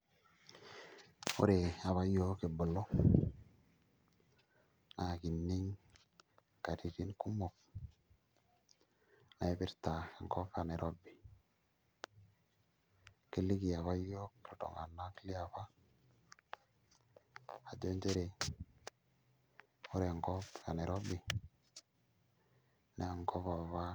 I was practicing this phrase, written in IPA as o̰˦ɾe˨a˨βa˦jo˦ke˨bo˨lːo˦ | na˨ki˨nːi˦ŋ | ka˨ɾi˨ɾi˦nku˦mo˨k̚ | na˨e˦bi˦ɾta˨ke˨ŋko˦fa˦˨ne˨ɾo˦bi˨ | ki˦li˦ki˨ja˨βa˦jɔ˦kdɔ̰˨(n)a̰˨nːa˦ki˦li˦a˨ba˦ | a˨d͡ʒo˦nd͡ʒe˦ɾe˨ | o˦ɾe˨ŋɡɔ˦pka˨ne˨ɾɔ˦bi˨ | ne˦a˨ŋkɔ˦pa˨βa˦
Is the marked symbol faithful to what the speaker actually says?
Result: no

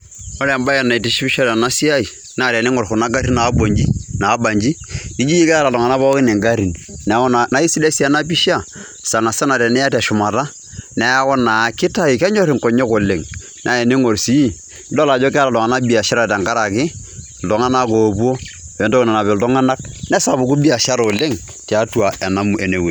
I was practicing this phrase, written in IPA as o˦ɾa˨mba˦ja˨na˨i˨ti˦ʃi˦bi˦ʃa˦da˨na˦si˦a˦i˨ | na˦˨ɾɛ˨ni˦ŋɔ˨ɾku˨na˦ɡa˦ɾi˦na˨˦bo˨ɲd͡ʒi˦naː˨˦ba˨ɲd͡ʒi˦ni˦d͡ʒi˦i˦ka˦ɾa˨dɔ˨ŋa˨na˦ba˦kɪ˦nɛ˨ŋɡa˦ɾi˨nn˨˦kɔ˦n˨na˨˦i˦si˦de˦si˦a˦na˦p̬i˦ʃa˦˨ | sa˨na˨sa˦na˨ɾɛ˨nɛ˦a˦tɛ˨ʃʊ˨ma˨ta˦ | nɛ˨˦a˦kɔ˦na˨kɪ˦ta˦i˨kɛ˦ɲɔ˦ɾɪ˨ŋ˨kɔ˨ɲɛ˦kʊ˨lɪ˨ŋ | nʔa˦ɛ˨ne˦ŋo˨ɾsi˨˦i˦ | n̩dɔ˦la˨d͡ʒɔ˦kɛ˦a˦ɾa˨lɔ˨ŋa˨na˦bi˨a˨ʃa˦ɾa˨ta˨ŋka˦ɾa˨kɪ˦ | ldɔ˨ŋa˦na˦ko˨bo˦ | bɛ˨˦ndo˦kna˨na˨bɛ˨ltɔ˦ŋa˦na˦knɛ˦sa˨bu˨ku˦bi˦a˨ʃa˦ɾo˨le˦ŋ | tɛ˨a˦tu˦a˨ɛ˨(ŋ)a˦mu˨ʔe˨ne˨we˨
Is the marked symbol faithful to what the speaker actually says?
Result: no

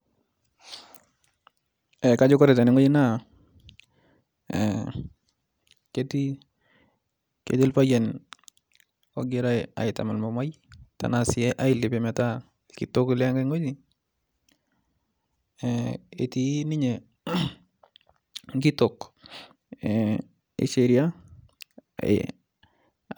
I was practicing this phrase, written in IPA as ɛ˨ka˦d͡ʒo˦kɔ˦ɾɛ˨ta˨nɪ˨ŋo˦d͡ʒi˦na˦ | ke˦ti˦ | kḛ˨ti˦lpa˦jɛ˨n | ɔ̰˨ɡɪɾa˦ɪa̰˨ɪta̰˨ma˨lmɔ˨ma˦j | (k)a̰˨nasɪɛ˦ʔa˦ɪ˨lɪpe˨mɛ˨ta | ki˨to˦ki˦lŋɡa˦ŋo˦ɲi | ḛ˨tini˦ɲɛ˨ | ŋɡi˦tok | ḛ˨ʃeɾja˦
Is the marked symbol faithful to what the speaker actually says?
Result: no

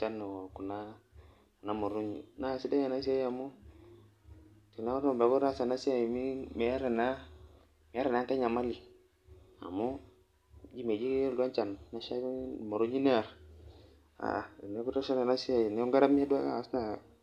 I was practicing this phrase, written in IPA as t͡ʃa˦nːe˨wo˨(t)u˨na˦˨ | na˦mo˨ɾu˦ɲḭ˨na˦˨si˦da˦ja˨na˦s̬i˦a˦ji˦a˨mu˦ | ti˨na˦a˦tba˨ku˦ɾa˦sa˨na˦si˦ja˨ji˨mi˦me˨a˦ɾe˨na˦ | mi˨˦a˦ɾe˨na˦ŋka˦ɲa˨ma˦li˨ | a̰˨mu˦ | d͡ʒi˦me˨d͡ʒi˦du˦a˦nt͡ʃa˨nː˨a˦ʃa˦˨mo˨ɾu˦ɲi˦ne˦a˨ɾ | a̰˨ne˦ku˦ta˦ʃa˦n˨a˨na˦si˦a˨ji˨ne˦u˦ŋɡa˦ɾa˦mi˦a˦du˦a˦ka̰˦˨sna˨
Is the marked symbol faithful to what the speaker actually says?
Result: no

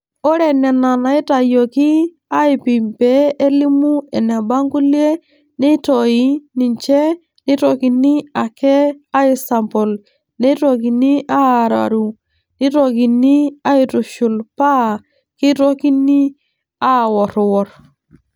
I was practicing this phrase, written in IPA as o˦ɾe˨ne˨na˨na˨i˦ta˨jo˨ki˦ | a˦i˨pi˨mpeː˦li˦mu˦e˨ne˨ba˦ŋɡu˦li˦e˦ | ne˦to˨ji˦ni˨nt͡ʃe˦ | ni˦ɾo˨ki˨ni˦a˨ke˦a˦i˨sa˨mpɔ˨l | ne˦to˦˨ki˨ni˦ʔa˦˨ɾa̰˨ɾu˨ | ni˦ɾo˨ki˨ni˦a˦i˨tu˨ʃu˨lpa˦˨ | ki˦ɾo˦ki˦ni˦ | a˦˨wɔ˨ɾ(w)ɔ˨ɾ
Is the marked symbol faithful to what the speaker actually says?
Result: yes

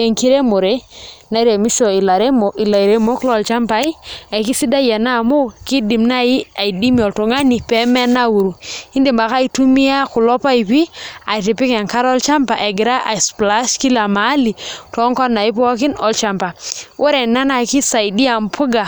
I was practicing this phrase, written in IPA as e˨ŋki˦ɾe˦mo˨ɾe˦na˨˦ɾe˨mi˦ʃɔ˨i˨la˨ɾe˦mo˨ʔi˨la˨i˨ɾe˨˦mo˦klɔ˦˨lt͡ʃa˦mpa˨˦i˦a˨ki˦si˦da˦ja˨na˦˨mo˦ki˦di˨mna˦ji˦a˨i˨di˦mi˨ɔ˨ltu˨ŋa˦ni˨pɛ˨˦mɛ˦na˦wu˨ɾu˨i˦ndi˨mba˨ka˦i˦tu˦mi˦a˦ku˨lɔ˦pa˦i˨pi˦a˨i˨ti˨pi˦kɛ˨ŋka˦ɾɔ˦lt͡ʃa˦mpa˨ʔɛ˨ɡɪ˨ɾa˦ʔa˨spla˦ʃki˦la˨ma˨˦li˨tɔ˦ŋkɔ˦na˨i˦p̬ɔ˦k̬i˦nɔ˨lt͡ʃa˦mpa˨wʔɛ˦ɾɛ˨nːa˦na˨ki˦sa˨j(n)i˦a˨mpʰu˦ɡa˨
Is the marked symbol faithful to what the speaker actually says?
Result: no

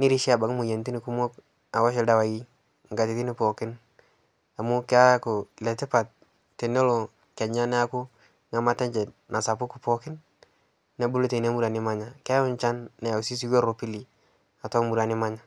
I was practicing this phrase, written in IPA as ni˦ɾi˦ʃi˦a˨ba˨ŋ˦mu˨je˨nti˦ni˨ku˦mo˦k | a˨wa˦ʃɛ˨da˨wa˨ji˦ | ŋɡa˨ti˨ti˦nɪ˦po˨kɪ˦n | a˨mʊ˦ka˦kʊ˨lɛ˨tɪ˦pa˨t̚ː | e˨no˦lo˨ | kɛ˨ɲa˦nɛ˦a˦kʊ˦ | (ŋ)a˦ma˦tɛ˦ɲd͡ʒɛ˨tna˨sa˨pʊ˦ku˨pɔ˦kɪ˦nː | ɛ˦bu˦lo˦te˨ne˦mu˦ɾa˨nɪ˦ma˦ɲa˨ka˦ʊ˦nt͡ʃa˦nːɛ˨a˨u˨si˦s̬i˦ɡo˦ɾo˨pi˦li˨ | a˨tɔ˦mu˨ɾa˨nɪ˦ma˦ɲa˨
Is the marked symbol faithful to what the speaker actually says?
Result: yes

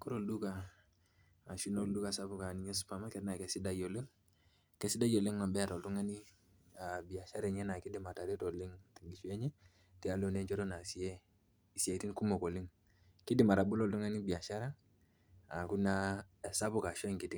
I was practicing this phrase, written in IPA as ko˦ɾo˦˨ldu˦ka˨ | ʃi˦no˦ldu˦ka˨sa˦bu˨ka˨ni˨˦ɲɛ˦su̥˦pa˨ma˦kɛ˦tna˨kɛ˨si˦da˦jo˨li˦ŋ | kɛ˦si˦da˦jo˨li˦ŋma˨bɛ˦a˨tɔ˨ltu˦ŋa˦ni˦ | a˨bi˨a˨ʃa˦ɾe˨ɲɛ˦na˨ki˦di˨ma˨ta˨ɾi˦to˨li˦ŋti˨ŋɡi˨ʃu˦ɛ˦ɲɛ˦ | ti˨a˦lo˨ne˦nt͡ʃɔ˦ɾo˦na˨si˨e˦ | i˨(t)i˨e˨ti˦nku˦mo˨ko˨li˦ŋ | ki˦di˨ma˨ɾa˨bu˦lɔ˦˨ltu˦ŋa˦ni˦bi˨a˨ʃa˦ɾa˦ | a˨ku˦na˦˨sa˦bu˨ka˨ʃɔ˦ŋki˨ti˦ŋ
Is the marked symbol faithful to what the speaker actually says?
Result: no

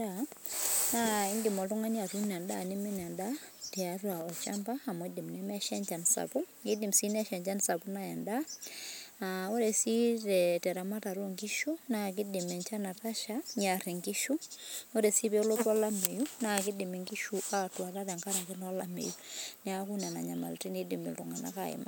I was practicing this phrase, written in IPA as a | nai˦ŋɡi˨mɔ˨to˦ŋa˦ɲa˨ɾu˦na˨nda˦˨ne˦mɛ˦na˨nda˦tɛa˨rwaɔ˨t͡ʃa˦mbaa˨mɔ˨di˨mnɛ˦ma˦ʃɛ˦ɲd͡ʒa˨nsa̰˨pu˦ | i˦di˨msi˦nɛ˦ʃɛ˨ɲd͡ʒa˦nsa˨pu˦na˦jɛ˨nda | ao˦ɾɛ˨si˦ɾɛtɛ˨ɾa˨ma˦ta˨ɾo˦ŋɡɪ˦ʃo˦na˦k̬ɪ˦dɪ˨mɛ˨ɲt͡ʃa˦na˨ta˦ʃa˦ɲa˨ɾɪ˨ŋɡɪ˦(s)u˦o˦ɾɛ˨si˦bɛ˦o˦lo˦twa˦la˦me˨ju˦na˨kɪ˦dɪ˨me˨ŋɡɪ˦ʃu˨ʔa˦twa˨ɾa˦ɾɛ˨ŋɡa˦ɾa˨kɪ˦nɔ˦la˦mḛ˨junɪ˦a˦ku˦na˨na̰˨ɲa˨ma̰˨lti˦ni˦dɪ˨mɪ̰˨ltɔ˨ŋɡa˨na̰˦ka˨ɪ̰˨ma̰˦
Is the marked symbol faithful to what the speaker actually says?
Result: no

